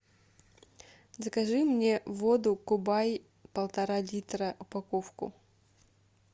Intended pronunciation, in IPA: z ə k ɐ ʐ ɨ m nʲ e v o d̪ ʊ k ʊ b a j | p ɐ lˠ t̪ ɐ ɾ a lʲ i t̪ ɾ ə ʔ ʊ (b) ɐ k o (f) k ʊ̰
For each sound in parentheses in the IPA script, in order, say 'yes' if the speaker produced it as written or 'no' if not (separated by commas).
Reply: no, yes